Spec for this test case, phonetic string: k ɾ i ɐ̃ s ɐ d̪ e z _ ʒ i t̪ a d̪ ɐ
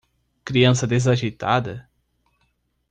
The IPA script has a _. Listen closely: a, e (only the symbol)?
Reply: a